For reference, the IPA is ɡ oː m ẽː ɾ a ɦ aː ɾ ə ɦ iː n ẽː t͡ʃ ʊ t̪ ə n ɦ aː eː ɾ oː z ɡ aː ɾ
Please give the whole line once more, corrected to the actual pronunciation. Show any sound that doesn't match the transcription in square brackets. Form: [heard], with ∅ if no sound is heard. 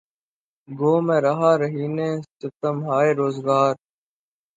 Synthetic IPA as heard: ɡ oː m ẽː ɾ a ɦ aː ɾ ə ɦ iː n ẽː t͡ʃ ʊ t̪ ə [m] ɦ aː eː ɾ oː z ɡ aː ɾ